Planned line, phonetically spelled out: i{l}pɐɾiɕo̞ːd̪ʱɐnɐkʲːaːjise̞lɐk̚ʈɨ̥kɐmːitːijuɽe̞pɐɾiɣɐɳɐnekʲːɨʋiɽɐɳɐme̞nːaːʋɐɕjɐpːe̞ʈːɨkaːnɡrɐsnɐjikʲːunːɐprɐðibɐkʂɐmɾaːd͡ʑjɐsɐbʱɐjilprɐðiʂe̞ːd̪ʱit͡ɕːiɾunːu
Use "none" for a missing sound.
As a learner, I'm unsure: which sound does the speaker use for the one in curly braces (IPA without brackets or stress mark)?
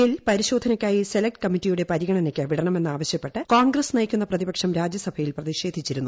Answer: l